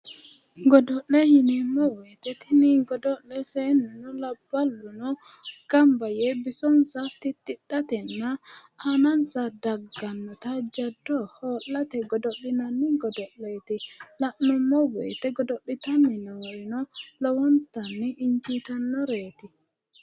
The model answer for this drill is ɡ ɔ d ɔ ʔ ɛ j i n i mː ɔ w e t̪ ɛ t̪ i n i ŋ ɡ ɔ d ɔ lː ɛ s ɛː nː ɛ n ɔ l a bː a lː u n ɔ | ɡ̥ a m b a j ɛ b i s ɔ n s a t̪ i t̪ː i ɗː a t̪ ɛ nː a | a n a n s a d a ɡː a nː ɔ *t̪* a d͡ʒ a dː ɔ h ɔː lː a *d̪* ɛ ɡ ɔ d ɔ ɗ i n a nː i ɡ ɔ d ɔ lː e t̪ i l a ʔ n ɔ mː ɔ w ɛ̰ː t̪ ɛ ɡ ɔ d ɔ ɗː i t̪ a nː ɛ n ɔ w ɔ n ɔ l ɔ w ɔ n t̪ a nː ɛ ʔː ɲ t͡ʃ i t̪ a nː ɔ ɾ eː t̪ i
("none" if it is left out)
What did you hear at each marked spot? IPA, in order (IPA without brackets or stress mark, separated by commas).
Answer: t̪, t̪